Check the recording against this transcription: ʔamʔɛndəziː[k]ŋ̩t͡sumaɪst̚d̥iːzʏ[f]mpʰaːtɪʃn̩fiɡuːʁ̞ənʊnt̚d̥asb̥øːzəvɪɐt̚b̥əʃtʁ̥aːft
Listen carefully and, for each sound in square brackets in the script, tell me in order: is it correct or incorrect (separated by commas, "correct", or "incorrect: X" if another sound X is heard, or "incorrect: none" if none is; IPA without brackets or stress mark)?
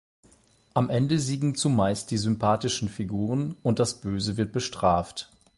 incorrect: ɡ, incorrect: none